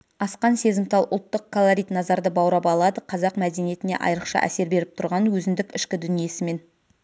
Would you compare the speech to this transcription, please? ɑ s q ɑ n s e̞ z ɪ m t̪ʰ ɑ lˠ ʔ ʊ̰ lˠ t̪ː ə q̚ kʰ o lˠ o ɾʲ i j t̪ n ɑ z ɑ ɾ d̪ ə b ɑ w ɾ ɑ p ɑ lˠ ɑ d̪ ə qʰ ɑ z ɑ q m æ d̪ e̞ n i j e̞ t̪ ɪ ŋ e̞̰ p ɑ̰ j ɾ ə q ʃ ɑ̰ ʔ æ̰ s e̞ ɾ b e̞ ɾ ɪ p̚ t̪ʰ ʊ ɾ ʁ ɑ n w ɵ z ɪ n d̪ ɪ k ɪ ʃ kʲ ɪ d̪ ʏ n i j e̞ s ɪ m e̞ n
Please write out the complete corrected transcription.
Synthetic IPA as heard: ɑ s q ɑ n s e̞ z ɪ m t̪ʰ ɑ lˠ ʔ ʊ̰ lˠ t̪ː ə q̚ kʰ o lˠ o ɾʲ i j t̪ n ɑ z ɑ ɾ d̪ ə b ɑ w ɾ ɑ p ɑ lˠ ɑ d̪ ə qʰ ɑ z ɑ q m æ d̪ e̞ n i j e̞ t̪ ɪ n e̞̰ ʔ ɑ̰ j ɾ ə q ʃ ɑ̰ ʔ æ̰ s e̞ ɾ b e̞ ɾ ɪ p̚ t̪ʰ ʊ ɾ ʁ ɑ n w ɵ z ɪ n d̪ ɪ k ɪ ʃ kʲ ɪ d̪ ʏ n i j e̞ s ɪ m e̞ n

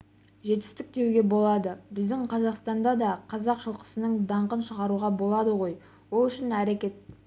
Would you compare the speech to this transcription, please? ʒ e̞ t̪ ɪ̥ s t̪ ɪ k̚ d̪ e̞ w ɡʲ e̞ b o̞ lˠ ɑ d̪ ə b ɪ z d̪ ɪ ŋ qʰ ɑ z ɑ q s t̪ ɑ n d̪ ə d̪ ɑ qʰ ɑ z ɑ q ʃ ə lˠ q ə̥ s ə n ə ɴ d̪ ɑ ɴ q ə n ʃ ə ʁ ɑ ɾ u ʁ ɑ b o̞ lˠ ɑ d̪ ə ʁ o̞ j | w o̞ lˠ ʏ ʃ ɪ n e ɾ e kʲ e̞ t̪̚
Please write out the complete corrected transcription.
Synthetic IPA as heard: ʒ e̞ t̪ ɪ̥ s t̪ ɪ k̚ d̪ e̞ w ɡʲ e̞ b o̞ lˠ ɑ d̪ ə b ɪ z d̪ ɪ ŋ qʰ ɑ z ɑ q s t̪ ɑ n d̪ ɑ d̪ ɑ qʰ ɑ z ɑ q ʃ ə lˠ q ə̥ s ə n ə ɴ d̪ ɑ ɴ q ə n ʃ ə ʁ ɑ ɾ u ʁ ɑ b o̞ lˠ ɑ d̪ ə ʁ o̞ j | w o̞ lˠ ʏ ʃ ɪ n æ ɾ e kʲ e̞ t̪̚

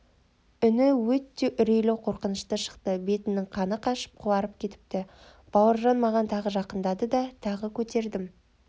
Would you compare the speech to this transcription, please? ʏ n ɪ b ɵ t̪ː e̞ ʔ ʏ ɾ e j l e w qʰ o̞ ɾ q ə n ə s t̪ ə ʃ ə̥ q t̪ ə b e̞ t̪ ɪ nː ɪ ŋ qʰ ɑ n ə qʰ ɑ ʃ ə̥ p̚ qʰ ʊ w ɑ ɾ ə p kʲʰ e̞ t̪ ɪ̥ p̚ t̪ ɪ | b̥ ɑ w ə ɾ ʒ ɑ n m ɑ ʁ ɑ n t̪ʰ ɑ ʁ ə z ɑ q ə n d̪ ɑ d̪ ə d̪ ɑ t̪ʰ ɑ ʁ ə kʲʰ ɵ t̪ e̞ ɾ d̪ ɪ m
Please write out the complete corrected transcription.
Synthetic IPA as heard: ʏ n ɪ w ɵ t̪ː e̞ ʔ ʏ ɾ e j l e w qʰ o̞ ɾ q ə n ə ʃ t̪ ə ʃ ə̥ q t̪ ə b e̞ t̪ ɪ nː ɪ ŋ qʰ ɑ n ə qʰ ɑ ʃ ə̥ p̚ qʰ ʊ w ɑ ɾ ə p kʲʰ e̞ t̪ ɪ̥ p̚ t̪ ɪ | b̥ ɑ w ə ɾ ʒ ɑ n m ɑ ʁ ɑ n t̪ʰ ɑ ʁ ə ʒ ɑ q ə n d̪ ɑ d̪ ə d̪ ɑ t̪ʰ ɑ ʁ ə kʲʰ ɵ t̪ e̞ ɾ d̪ ɪ m

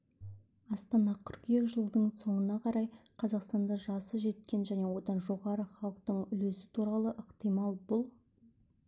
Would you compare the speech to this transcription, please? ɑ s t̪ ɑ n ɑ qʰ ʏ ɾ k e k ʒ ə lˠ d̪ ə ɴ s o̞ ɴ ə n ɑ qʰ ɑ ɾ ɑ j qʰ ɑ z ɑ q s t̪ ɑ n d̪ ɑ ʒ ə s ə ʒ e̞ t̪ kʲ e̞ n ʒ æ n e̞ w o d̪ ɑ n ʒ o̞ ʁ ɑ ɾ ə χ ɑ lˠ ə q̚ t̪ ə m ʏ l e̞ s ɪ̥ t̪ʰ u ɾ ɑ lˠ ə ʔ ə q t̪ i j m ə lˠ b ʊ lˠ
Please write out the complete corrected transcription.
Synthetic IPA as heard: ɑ s t̪ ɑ n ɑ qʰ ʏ ɾ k e k ʒ ə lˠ d̪ ə ɴ s o̞ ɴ ə n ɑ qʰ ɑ ɾ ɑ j qʰ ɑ z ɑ q s t̪ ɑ n d̪ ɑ ʒ ɑ s ə ʒ e̞ t̪ kʲ e̞ n ʒ æ n e̞ w o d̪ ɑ n ʒ o̞ ʁ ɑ ɾ ə χ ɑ lˠ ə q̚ t̪ ə ɴ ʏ l e̞ s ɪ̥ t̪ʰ u ɾ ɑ lˠ ə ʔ ə q t̪ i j m ɑ lˠ b ʊ lˠ

